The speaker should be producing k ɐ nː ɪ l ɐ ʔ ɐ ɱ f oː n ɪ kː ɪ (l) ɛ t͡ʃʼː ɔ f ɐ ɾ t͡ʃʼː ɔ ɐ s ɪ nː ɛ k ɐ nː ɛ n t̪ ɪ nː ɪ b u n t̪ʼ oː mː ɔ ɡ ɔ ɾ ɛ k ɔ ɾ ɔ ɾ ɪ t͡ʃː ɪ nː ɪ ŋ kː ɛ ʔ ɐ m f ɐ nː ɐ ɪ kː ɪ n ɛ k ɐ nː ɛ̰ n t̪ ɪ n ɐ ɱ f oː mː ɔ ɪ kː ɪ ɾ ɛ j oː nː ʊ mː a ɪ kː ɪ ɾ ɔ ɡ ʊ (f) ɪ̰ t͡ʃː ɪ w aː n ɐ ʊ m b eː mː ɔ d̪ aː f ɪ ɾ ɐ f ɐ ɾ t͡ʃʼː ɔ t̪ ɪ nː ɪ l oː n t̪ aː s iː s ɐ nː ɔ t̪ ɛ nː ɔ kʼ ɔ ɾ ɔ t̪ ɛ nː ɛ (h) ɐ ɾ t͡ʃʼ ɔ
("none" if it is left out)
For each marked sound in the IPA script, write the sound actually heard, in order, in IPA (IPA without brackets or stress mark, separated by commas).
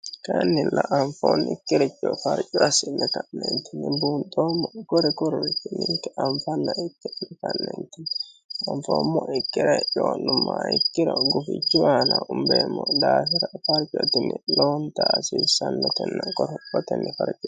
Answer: ɾ, f, f